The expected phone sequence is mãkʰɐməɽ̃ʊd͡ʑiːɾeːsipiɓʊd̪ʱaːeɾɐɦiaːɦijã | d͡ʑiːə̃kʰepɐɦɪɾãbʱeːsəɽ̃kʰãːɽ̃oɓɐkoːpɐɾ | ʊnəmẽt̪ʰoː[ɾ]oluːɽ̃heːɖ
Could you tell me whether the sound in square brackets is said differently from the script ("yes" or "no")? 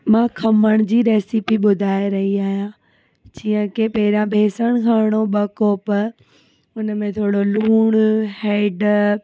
yes